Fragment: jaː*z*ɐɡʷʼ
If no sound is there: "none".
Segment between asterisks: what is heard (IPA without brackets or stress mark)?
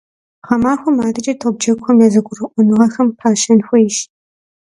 z